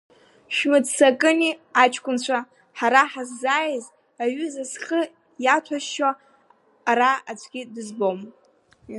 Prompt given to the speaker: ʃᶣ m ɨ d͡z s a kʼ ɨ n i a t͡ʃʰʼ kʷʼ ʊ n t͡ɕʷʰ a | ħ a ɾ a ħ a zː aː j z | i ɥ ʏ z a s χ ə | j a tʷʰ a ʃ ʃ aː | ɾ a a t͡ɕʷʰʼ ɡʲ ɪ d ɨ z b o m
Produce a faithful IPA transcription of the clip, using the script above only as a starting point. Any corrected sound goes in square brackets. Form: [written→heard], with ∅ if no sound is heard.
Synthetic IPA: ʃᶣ m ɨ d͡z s a kʼ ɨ n i a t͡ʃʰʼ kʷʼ ʊ n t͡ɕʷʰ a | ħ a ɾ a ħ a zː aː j z | [i→a] ɥ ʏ z a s χ ə | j a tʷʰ a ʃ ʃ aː | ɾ a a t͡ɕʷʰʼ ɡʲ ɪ d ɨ z b o m